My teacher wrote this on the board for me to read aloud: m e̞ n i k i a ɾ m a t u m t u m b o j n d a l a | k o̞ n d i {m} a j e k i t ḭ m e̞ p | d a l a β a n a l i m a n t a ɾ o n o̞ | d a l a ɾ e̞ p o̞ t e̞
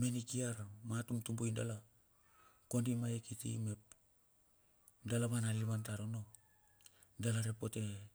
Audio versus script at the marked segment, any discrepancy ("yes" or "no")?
no